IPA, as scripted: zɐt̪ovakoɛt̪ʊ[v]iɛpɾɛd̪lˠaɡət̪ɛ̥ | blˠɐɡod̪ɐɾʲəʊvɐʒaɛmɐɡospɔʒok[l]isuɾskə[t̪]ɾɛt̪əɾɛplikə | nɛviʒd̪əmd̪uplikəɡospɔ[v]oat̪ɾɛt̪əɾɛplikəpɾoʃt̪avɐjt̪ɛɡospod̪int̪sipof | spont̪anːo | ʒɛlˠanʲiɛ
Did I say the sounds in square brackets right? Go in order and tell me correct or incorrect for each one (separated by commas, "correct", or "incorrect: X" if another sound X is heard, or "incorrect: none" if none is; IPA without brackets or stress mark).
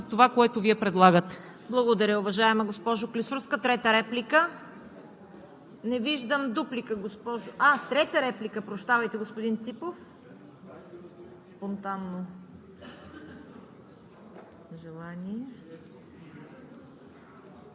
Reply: correct, correct, correct, incorrect: ʒ